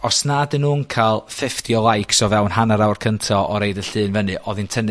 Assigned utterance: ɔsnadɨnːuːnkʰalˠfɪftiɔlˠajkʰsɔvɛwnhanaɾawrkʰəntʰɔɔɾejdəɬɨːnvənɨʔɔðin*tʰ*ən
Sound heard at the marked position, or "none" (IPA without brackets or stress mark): tʰ